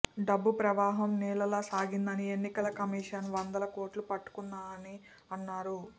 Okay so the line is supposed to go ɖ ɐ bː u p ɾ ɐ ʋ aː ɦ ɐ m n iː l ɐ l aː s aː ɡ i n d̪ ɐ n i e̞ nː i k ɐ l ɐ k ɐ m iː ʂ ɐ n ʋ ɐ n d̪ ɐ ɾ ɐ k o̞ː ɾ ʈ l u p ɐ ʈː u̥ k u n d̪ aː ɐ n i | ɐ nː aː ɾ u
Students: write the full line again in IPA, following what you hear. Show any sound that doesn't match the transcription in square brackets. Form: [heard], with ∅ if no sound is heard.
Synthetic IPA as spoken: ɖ ɐ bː u p ɾ ɐ ʋ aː ɦ ɐ m n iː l ɐ l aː s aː ɡ i n d̪ ɐ n i e̞ nː i k ɐ l ɐ k ɐ m iː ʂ ɐ n ʋ ɐ n d̪ ɐ [l] ɐ k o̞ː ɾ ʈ l u p ɐ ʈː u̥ k u n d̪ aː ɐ n i | ɐ nː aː ɾ u